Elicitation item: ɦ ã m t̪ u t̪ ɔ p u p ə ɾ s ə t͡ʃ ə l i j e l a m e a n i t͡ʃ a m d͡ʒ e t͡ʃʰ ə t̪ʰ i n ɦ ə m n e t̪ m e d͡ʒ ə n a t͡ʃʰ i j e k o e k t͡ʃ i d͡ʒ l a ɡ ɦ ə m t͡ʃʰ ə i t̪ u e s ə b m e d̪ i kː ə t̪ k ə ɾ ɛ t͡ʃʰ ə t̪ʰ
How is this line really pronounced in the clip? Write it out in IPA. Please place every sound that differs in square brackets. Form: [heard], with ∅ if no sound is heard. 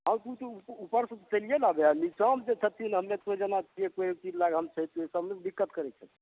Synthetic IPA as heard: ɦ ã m t̪ u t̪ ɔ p u p ə ɾ s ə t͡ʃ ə l i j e l a [b] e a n i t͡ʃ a m d͡ʒ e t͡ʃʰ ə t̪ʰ i n ɦ ə m n e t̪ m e d͡ʒ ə n a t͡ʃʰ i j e k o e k t͡ʃ i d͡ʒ l a ɡ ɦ ə m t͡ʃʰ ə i t̪ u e s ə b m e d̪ i kː ə t̪ k ə ɾ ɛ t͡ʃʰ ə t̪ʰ